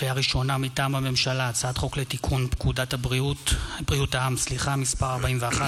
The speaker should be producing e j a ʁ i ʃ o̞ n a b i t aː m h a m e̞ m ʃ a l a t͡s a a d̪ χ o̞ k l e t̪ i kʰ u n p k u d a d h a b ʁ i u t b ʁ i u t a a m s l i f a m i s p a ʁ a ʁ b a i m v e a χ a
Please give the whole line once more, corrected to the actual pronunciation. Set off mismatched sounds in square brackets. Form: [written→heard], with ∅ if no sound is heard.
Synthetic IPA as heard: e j a ʁ i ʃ o̞ n a [b→m] i t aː m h a m e̞ m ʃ a l a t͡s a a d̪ χ o̞ k l e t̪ i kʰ u n p k u d a [d→t] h a b ʁ i u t b ʁ i u t a a m s l i [f→χ] a m i s p a ʁ a ʁ b a i m v e a χ a